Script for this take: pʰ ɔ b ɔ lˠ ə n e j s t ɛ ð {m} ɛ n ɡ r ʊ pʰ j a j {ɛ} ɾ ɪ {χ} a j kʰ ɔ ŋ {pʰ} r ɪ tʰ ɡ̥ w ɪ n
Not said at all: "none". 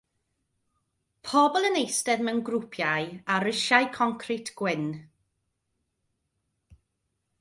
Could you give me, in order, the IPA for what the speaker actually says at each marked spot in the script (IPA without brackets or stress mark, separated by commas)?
m, a, ʃ, kʰ